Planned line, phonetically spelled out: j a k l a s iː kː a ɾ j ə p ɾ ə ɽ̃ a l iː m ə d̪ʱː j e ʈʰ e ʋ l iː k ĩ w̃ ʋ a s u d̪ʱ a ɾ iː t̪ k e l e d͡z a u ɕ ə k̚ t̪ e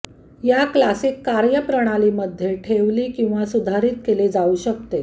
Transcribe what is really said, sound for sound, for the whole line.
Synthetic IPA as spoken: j a k l a s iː kː a ɾ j ə p ɾ ə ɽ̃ a l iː m ə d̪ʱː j e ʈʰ e ʋ l iː k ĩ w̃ ʋ a s u d̪ʱ a ɾ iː t̪ k e l e d͡z a u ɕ ə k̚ t̪ e